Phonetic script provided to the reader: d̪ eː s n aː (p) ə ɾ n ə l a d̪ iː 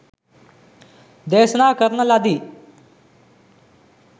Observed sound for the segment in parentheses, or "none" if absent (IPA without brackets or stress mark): k